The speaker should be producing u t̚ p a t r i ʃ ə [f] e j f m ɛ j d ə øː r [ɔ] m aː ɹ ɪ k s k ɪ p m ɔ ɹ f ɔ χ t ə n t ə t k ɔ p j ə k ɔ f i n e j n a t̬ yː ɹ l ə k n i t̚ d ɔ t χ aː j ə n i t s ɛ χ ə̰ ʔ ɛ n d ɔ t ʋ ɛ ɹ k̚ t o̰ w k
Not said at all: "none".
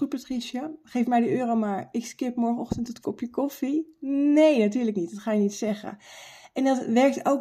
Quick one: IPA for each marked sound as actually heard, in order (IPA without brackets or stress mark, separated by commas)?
χ, o